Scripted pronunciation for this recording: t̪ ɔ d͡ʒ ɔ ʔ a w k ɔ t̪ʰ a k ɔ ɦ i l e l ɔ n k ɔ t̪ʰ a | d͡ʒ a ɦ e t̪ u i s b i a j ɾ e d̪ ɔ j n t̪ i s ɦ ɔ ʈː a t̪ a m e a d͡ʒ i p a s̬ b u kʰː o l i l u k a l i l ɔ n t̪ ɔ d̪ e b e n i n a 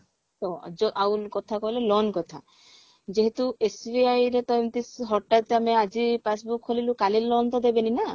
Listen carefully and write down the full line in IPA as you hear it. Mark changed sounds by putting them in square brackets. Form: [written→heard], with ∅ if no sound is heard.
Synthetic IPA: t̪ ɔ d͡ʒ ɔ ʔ a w k ɔ t̪ʰ a k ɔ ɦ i l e l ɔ n k ɔ t̪ʰ a | d͡ʒ [a→e] ɦ e t̪ u [i→e] s b i a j ɾ e [d̪→t̪] ɔ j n t̪ i s ɦ ɔ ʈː a t̪ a m e a d͡ʒ i p a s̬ b u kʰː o l i l u k a l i l ɔ n t̪ ɔ d̪ e b e n i n a